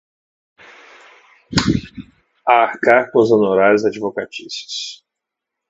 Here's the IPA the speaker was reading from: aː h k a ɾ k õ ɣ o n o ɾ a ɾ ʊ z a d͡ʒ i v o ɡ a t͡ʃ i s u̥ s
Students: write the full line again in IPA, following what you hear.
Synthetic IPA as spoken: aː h k a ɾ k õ z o n o ɾ a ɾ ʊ z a d͡ʒ i v o k a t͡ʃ i s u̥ s